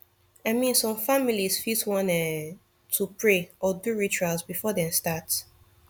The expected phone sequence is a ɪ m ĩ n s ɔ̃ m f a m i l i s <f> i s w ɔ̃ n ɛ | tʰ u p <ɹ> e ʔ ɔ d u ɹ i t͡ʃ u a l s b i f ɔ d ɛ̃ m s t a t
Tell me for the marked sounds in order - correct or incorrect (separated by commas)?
correct, correct